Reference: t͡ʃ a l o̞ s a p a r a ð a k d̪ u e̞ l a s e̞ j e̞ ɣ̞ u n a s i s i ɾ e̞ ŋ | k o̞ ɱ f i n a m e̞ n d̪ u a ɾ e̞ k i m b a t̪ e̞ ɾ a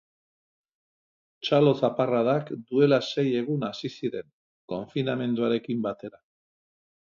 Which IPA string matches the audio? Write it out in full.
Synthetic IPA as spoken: t͡ʃ a l o̞ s a p a r a ð a k d̪ u e̞ l a s e̞ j e̞ ɣ̞ u n a s i s i ɾ e̞ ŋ | k o̞ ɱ f i n a m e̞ n d̪ u a ɾ e̞ k i m b a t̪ e̞ ɾ a